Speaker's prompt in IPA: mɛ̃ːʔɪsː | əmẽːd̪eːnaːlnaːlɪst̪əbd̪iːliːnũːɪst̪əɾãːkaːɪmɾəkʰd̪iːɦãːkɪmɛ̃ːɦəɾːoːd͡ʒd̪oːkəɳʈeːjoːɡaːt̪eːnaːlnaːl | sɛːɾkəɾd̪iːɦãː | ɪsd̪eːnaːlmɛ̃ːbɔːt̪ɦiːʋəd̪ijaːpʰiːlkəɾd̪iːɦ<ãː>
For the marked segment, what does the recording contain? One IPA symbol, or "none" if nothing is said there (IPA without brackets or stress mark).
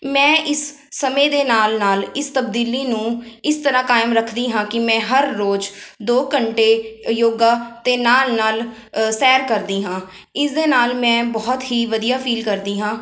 ãː